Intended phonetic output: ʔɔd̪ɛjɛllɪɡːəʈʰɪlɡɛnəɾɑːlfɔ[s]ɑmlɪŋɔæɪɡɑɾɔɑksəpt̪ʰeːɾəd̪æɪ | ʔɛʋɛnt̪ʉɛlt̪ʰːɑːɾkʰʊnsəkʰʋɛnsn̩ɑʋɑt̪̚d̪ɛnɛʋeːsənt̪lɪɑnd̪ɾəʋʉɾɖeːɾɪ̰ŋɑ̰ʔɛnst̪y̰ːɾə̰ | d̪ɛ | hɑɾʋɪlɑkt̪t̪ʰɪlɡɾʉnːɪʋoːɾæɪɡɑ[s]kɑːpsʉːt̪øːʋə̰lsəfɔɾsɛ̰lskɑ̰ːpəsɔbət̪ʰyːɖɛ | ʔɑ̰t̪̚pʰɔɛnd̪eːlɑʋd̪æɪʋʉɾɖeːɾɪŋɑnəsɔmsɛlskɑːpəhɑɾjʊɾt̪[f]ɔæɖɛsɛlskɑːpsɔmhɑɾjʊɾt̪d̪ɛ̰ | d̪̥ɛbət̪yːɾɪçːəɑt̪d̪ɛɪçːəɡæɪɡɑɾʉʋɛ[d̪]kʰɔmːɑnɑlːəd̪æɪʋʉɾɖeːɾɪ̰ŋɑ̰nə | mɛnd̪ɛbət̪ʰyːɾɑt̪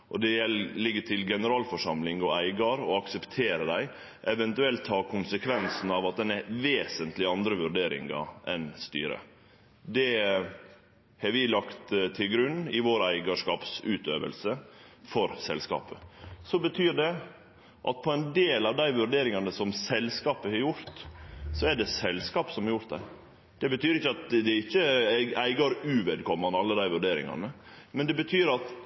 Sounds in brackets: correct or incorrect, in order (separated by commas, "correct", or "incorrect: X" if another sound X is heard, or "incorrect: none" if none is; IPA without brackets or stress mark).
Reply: incorrect: ʂ, incorrect: ʂ, incorrect: s, correct